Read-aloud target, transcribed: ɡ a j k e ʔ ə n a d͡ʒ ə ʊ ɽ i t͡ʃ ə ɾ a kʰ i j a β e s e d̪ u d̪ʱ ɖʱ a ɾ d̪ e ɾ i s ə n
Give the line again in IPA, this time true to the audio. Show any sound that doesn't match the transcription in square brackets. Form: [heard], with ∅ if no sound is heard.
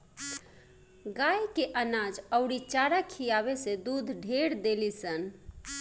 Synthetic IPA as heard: ɡ a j k e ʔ ə n a d͡ʒ ə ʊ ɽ i t͡ʃ [a] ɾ a kʰ i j a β e s e d̪ u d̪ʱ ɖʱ [e] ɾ d̪ e [l] i s ə n